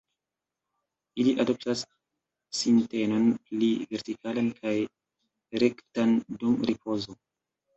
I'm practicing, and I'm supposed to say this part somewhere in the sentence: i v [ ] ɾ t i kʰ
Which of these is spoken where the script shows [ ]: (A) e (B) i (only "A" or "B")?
A